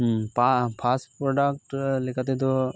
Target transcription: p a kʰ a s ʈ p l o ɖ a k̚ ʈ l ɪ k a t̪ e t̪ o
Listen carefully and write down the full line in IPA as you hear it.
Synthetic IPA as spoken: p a pʰ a s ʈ p ɾ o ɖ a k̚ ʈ l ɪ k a t̪ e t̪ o